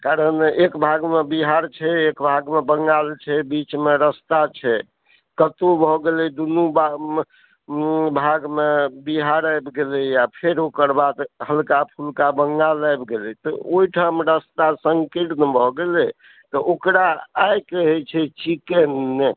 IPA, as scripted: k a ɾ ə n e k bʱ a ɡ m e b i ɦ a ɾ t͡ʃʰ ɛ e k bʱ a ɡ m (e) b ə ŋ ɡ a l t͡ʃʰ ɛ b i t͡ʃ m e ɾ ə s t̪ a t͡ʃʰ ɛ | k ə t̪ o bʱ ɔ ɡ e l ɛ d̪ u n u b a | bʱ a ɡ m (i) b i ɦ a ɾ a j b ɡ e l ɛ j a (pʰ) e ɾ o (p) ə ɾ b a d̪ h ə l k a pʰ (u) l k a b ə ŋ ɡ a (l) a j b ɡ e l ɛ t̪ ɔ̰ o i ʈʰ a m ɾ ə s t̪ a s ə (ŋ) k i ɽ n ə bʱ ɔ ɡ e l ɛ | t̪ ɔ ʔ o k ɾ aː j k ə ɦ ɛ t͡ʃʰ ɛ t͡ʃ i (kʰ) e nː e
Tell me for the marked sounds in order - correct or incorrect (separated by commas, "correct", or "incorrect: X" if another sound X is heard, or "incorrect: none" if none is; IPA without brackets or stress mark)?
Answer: correct, incorrect: e, correct, incorrect: k, correct, correct, correct, incorrect: k